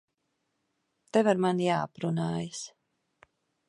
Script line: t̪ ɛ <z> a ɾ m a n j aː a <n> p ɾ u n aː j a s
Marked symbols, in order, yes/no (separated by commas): no, no